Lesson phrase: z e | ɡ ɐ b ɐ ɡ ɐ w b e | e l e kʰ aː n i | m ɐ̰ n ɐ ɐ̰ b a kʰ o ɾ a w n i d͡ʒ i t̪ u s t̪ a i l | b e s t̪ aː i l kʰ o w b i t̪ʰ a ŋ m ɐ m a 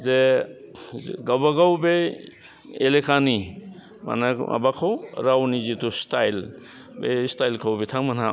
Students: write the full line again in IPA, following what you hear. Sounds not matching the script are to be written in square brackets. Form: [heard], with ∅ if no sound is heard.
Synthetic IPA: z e | ɡ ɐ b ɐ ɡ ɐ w b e | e l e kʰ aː n i | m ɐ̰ n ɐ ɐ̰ b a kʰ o ɾ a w n i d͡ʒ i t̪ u s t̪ a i l | b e s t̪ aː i l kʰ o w b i t̪ʰ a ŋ m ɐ [n] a